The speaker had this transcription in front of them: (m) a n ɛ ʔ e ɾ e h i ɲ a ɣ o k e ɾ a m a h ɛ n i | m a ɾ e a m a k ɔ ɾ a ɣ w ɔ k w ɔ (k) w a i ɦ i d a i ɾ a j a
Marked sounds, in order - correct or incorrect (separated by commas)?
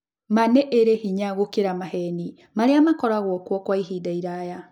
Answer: correct, correct